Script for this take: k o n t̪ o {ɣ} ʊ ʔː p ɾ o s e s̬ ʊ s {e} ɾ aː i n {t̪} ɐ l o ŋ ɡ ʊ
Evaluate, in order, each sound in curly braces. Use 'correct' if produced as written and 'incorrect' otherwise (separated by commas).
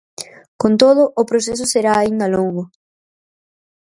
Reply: incorrect, correct, incorrect